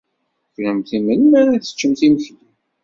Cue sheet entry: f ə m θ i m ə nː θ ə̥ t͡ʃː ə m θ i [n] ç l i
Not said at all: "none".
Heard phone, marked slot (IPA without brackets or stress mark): m